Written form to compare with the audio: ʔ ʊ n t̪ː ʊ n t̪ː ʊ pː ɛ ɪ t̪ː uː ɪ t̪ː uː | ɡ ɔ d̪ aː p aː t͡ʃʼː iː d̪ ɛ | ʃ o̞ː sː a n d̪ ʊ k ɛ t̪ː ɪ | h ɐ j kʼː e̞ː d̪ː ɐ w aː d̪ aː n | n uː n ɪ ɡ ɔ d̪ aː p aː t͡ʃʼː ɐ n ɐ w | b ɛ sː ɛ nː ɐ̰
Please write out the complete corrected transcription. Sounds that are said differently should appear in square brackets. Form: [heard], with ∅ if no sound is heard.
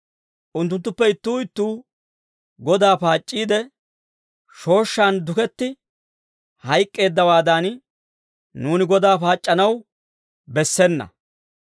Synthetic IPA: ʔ ʊ n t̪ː ʊ n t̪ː ʊ pː ɛ ɪ t̪ː uː ɪ t̪ː uː | ɡ ɔ d̪ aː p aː t͡ʃʼː iː d̪ ɛ | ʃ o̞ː [ʃː] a n d̪ ʊ k ɛ t̪ː ɪ | h ɐ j kʼː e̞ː d̪ː ɐ w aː d̪ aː n | n uː n ɪ ɡ ɔ d̪ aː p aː t͡ʃʼː ɐ n ɐ w | b ɛ sː ɛ nː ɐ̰